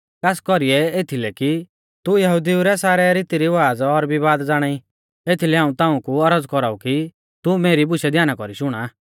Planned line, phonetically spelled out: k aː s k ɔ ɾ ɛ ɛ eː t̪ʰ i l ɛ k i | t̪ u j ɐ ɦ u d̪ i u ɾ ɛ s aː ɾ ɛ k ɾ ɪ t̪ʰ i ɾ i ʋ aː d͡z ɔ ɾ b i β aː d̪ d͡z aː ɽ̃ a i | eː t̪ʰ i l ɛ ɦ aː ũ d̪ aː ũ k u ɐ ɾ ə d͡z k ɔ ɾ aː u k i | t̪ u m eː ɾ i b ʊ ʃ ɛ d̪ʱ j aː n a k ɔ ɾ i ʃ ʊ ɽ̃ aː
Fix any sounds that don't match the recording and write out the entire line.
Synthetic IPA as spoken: k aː s k ɔ ɾ i ɛ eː t̪ʰ i l ɛ k i | t̪ u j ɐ ɦ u d̪ i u ɾ ɛ s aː ɾ ɛ ɾ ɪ t̪ i ɾ i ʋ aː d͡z ɔ ɾ b i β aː d̪ d͡z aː ɽ̃ a i | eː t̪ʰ i l ɛ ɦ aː ũ t̪ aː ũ k u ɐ ɾ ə d͡z k ɔ ɾ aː u k i | t̪ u m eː ɾ i b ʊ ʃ ɛ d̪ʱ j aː n a k ɔ ɾ i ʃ ʊ ɽ̃ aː